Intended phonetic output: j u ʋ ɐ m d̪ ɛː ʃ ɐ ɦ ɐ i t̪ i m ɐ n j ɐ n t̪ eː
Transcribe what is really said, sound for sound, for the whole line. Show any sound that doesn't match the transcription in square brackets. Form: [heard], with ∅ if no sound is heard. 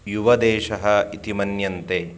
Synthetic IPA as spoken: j u ʋ ɐ [∅] d̪ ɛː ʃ ɐ ɦ ɐ i t̪ i m ɐ n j ɐ n t̪ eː